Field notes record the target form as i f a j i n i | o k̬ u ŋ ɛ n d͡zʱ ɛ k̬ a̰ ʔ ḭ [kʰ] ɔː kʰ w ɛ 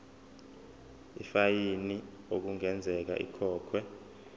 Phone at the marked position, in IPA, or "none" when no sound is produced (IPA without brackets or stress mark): kʰ